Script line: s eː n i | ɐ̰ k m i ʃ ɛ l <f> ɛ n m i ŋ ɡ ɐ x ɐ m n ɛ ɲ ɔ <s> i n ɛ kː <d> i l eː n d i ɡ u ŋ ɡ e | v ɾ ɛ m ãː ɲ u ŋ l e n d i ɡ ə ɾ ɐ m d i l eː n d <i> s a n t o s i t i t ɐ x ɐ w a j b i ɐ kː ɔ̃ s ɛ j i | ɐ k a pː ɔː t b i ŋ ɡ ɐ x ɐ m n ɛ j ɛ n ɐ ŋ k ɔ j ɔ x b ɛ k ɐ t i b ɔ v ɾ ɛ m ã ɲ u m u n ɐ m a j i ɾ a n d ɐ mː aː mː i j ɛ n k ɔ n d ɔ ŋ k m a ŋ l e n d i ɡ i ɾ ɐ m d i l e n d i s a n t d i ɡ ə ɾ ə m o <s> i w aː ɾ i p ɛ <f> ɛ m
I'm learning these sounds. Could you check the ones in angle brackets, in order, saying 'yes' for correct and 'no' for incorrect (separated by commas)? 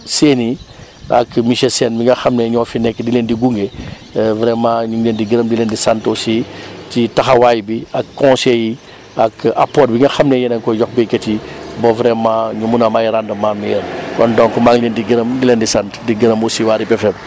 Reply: no, no, yes, yes, yes, yes